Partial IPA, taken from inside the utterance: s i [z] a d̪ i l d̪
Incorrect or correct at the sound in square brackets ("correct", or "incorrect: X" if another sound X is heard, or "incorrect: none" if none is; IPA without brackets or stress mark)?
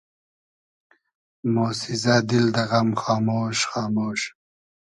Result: correct